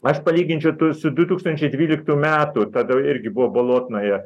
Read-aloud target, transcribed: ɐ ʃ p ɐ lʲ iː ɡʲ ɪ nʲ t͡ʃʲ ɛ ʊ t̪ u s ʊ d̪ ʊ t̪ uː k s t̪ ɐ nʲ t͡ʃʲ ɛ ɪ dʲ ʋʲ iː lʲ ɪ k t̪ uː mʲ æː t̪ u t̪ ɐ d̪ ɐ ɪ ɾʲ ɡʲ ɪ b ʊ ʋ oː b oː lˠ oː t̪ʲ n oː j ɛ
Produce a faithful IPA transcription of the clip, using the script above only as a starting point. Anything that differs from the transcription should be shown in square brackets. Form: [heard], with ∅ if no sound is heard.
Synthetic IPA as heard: ɐ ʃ p ɐ lʲ iː ɡʲ ɪ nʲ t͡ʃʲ ɛ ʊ t̪ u s ʊ d̪ ʊ t̪ uː k s t̪ ɐ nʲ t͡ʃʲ ɛ ɪ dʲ ʋʲ iː lʲ ɪ k t̪ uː mʲ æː t̪ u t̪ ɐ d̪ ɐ ɪ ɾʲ ɡʲ ɪ b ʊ ʋ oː b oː lˠ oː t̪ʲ n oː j ɛ